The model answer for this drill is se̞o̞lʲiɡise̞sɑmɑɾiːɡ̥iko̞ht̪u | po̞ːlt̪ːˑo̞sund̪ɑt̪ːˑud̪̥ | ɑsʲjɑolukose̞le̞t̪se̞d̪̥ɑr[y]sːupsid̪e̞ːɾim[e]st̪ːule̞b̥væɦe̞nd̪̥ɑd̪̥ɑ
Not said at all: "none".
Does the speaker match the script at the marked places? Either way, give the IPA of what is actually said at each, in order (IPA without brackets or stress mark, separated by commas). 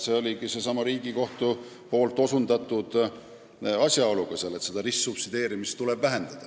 i, i